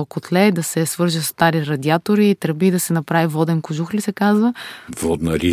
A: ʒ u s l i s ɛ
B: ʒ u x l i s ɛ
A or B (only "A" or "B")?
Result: B